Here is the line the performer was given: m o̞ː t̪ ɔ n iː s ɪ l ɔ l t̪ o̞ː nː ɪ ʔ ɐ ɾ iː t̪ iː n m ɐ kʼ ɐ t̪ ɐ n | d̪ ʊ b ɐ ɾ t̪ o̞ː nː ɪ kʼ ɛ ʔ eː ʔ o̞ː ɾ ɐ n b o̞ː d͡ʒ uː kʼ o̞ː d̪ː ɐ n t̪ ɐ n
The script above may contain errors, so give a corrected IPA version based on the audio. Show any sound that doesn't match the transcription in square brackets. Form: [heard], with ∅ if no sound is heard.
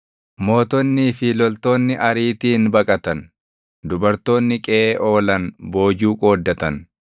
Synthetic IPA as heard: m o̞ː t̪ ɔ [nː] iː [f] ɪ l ɔ l t̪ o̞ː nː ɪ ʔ ɐ ɾ iː t̪ iː n [b] ɐ kʼ ɐ t̪ ɐ n | d̪ ʊ b ɐ ɾ t̪ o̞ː nː ɪ kʼ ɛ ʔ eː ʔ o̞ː [l] ɐ n b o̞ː d͡ʒ uː kʼ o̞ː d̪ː ɐ [∅] t̪ ɐ n